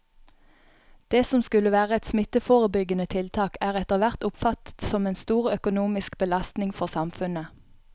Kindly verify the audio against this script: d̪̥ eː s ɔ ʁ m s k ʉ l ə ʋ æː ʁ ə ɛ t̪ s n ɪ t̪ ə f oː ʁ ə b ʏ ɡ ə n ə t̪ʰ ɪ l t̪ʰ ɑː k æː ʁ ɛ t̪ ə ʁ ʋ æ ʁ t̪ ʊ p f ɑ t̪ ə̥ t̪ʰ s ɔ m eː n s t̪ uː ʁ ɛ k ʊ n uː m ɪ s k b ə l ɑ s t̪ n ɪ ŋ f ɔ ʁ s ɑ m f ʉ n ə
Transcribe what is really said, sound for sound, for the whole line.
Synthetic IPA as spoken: d̪̥ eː s ɔ m s k ʉ l ə ʋ æː ʁ ə ɛ t̪ s m ɪ t̪ ə f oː ʁ ə b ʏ ɡ ə n ə t̪ʰ ɪ l t̪ʰ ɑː k æː ʁ ɛ t̪ ə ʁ ʋ æ ʁ t̪ ʊ p f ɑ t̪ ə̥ t̪ s ɔ m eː n s t̪ uː ʁ œ k ʊ n uː m ɪ s k b ə l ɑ s t̪ n ɪ ŋ f ɔ ʁ s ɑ m f ʉ n ə

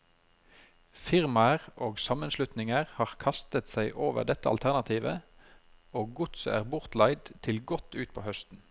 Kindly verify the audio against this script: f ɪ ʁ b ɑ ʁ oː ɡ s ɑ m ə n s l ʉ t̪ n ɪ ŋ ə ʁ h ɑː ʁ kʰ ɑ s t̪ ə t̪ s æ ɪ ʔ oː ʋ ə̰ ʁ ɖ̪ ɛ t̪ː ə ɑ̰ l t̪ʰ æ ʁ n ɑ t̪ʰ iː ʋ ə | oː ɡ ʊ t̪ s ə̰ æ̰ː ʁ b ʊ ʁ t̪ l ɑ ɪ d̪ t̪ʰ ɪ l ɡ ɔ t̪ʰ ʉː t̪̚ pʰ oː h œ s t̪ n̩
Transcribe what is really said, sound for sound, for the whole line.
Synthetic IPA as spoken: f ɪ ʁ m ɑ ʁ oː ɡ s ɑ m ə n s l ʉ t̪ n ɪ ŋ ə ʁ h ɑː ʁ kʰ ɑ s t̪ ə t̪ s æ ɪ ʔ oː ʋ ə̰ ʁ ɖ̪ ɛ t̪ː ə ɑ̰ l t̪ʰ æ ʁ n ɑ t̪ʰ iː ʋ ə | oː ɡ ʊ t̪ s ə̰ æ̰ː ʁ b ʊ ʁ t̪ l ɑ ɪ d̪ t̪ʰ ɪ l ɡ ɔ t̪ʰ ʉː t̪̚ pʰ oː h œ s t̪ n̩

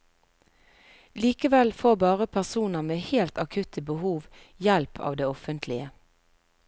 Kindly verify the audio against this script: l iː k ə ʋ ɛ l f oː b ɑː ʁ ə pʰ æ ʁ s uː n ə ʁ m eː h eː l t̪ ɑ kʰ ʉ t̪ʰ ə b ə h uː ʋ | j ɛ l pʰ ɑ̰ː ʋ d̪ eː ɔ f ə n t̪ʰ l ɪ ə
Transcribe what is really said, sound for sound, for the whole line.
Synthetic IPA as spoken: l iː k ə ʋ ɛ l f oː b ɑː ʁ ə pʰ æ ʁ s uː n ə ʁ m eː h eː l t̪ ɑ kʰ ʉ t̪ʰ ə b ə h uː ʋ | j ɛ l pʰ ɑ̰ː ʋ d̪ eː ɔ f ə n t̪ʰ l ɪ ə

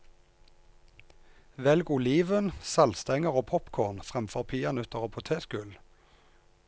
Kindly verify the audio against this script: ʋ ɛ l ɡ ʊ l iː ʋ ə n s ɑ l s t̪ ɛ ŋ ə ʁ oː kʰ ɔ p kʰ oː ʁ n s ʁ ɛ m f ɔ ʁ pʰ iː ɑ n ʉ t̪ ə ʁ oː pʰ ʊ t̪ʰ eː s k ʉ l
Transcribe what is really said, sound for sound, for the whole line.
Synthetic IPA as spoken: ʋ ɛ l ɡ ʊ l iː ʋ ə n s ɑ l s t̪ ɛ ŋ ə ʁ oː pʰ ɔ p kʰ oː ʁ n f ʁ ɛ m f ɔ ʁ pʰ iː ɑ n ʉ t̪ ə ʁ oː pʰ ʊ t̪ʰ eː s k ʉ l

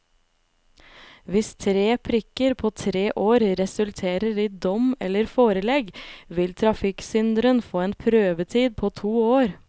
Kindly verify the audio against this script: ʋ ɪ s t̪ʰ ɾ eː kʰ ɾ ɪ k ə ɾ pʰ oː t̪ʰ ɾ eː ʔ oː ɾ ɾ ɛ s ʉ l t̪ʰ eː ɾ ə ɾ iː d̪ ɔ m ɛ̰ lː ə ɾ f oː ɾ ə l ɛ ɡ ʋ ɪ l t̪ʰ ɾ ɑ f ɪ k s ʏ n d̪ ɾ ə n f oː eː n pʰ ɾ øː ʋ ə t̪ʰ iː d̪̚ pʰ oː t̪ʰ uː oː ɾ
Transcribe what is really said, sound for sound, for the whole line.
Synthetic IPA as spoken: ʋ ɪ s t̪ʰ ɾ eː pʰ ɾ ɪ k ə ɾ pʰ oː t̪ʰ ɾ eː ʔ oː ɾ ɾ ɛ s ʉ l t̪ʰ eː ɾ ə ɾ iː d̪ ɔ m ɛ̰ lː ə ɾ f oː ɾ ə l ɛ ɡ ʋ ɪ l t̪ʰ ɾ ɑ f ɪ k s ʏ n d̪ ɾ ə n f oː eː n pʰ ɾ øː ʋ ə t̪ʰ iː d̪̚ pʰ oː t̪ʰ uː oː ɾ

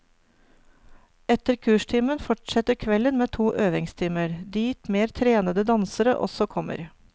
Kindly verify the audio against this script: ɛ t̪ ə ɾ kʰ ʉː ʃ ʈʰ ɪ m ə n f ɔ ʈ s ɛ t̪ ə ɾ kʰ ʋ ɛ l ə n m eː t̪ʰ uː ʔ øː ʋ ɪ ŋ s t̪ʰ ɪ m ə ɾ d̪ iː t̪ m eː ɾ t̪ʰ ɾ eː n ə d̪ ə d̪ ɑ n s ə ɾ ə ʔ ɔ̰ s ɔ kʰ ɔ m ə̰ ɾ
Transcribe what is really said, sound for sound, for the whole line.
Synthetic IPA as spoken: ɛ t̪ ə ɾ kʰ ʉː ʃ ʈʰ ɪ m ə n f ɔ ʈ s ɛ t̪ ə ɾ kʰ ʋ ɛ l ə n m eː t̪ʰ uː ʔ øː ʋ ɪ ŋ s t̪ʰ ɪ m ə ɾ d̪ iː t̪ m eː ɾ t̪ʰ ɾ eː n ə d̪ ə d̪ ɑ n s ə ɾ ə ʔ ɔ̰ s ɔ kʰ ɔ m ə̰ ɾ

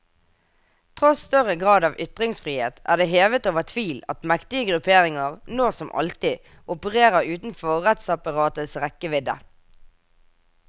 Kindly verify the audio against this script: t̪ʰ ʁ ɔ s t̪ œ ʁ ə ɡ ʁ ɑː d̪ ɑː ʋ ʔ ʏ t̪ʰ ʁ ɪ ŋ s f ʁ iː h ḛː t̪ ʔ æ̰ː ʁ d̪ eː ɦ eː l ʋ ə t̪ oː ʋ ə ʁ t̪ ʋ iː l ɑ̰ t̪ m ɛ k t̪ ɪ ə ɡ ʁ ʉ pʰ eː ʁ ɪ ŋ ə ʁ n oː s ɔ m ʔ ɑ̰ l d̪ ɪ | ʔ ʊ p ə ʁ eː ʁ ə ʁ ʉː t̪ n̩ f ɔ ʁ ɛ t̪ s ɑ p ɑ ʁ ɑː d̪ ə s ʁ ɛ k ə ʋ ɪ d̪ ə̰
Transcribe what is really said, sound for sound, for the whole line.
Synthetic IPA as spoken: t̪ʰ ʁ ɔ s t̪ œ ʁ ə ɡ ʁ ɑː d̪ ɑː ʋ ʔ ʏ t̪ ʁ ɪ ŋ s f ʁ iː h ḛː t̪ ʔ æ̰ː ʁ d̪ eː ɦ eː ʋ ə t̪ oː ʋ ə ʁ t̪ʰ ʋ iː l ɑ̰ t̪ m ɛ k t̪ ɪ ə ɡ ʁ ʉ pʰ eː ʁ ɪ ŋ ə ʁ n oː s ɔ m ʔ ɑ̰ l t̪ ɪ | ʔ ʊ p ə ʁ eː ʁ ə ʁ ʉː t̪ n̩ f ɔ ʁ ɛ t̪ s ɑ p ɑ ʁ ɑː t̪ ə s ʁ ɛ k ə ʋ ɪ d̪ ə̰

